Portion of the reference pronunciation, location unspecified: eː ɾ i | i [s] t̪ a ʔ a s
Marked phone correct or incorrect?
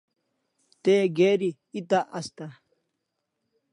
incorrect